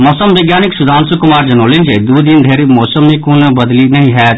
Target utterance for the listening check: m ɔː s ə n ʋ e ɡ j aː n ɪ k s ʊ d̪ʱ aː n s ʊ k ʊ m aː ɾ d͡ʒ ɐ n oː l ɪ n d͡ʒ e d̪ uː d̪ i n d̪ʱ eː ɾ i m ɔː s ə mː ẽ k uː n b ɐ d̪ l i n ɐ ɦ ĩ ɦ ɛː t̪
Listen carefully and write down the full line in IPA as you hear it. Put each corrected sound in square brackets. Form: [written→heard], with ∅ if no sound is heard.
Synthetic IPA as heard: m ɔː s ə [n→m] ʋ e ɡ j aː n ɪ k s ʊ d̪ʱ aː n s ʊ k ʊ m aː ɾ d͡ʒ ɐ n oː l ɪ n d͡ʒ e d̪ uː d̪ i n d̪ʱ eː ɾ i m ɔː s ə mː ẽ k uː n b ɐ d̪ l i n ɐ ɦ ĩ ɦ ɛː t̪